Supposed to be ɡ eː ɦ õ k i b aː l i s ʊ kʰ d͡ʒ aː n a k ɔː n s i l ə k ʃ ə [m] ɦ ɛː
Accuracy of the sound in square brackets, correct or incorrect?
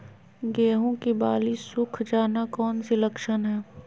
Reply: incorrect